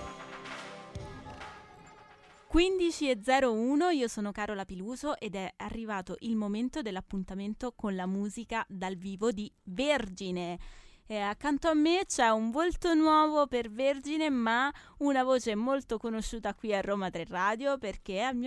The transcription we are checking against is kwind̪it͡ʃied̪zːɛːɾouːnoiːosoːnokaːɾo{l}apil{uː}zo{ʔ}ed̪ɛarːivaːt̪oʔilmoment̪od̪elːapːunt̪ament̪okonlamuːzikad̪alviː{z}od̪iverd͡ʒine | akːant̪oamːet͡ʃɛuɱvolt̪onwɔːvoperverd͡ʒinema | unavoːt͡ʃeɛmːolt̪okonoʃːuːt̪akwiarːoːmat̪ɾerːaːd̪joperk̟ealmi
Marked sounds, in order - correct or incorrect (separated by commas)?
correct, correct, correct, incorrect